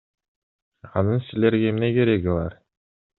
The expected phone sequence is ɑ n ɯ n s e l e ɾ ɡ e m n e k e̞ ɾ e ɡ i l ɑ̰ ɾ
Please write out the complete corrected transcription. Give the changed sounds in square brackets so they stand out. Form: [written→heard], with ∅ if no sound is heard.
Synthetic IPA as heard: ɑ n ɯ n s [e→i] l e ɾ ɡ e m n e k e̞ ɾ e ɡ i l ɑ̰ ɾ